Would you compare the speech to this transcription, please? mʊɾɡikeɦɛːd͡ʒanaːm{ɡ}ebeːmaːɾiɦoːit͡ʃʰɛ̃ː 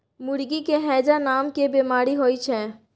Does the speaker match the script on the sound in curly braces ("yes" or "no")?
no